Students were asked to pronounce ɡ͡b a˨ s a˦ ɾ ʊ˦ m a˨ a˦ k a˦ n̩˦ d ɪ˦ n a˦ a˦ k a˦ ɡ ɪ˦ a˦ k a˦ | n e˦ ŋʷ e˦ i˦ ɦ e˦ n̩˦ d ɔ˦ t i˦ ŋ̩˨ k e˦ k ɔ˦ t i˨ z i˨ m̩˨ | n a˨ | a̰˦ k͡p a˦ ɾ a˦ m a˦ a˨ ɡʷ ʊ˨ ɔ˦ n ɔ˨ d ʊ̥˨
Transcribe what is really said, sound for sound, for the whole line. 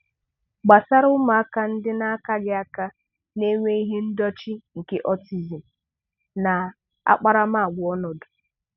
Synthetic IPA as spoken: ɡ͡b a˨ s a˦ ɾ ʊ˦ m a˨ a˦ k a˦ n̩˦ d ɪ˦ n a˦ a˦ k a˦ ɡ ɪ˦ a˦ k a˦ | n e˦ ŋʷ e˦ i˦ ɦ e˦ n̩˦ d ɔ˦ t͡ʃ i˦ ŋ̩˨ k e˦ ʔ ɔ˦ t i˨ z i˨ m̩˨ | n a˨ | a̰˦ k͡p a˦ ɾ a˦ m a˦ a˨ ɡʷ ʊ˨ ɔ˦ n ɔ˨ d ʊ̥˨